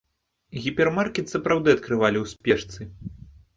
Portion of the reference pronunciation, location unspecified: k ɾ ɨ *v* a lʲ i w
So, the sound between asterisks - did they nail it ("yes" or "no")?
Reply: yes